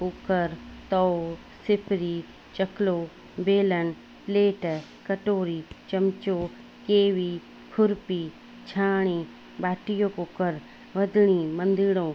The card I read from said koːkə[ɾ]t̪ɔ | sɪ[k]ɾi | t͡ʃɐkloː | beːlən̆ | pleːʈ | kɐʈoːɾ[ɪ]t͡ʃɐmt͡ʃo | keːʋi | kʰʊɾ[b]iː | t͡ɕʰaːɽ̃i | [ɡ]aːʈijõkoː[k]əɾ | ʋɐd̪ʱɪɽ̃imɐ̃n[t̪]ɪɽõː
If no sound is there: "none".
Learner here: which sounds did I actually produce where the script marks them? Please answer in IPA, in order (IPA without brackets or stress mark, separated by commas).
ɾ, p, i, p, b, k, d̪